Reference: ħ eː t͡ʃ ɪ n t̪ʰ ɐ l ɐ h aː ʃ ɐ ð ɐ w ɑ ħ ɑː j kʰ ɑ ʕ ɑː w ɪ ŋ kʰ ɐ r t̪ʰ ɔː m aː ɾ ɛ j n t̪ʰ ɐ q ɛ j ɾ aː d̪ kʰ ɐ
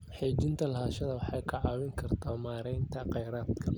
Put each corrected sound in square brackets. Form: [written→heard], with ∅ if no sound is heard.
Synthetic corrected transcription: ħ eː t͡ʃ ɪ n t̪ʰ ɐ l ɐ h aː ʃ ɐ ð ɐ w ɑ ħ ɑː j kʰ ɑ ʕ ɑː w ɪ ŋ kʰ ɐ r t̪ʰ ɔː m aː ɾ ɛ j n t̪ʰ ɐ q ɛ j ɾ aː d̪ kʰ ɐ